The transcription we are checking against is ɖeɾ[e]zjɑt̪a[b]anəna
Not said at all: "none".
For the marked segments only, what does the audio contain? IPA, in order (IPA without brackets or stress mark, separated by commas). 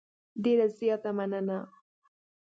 a, m